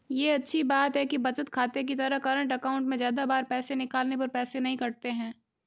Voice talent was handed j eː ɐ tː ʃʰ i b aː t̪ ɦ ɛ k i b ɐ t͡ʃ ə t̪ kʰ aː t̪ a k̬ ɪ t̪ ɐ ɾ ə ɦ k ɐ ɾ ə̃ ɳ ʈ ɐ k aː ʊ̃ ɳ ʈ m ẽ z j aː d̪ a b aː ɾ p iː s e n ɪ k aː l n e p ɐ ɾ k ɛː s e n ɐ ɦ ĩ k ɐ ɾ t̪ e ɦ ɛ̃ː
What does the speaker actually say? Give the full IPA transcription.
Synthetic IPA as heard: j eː ɐ tː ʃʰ i b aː t̪ ɦ ɛ k i b ɐ t͡ʃ ə t̪ kʰ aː t̪ e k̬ i t̪ ɐ ɾ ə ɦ k ɐ ɾ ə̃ ɳ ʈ ɐ k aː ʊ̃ ɳ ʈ m ẽ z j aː d̪ a b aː ɾ p ɛː s e n ɪ k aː l n e p ɐ ɾ p ɛː s e n ɐ ɦ ĩ k ɐ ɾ t̪ e ɦ ɛ̃ː